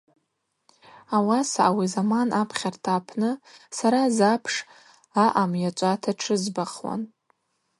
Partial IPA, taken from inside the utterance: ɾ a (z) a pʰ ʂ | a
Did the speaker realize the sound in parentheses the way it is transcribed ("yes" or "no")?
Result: yes